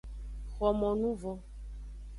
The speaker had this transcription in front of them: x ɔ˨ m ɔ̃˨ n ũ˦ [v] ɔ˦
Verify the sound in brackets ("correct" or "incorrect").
correct